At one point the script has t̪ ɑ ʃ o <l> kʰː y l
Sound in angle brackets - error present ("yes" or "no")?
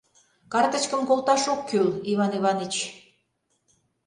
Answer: yes